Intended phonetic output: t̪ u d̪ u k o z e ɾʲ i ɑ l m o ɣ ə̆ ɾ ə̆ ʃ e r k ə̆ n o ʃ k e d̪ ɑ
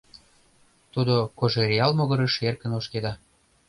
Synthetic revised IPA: t̪ u d̪ o k o ʒ e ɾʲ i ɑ l m o ɣ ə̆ ɾ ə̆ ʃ e r k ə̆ n o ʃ k e d̪ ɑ